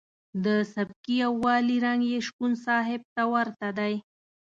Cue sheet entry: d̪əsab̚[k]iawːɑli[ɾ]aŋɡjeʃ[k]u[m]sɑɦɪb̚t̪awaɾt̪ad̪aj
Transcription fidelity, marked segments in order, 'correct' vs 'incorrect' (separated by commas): correct, correct, correct, incorrect